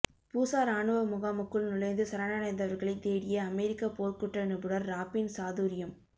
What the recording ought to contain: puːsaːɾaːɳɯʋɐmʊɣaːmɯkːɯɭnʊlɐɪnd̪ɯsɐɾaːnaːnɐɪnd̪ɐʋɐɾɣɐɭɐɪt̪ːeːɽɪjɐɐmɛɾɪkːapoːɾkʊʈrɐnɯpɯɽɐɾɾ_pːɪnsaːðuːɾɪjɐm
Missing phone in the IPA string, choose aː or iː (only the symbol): aː